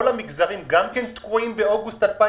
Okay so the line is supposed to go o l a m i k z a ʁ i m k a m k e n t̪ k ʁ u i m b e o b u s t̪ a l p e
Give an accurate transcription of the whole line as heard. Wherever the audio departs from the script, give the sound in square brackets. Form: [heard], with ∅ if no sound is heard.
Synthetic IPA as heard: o l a m i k z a ʁ i m [ɡ] a m k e n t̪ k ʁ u i m b e o [ɡ] u s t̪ a l p [a]